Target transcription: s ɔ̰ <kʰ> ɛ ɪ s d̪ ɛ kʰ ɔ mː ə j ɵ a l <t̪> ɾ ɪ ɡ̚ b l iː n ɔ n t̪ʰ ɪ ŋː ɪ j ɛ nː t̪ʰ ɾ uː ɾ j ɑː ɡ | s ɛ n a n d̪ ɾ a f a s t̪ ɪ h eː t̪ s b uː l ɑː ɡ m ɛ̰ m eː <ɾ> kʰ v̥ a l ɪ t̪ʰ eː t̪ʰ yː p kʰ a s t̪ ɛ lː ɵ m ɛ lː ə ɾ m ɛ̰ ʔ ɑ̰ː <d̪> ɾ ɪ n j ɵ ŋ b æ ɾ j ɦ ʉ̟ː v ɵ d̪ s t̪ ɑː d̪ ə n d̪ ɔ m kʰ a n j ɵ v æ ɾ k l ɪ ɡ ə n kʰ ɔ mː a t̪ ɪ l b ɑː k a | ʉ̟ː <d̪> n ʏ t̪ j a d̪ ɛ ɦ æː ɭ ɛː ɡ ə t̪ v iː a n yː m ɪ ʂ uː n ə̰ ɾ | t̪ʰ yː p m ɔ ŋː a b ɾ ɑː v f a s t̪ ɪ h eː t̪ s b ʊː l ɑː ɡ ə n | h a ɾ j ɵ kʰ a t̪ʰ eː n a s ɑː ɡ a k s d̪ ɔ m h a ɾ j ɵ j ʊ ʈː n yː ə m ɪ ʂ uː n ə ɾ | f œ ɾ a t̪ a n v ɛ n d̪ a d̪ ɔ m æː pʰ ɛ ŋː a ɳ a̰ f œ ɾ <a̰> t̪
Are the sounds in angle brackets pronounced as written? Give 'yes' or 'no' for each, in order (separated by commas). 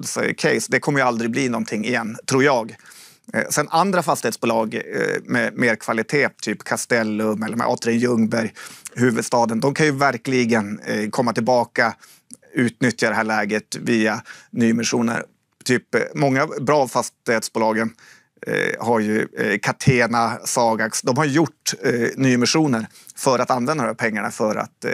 yes, no, yes, no, no, yes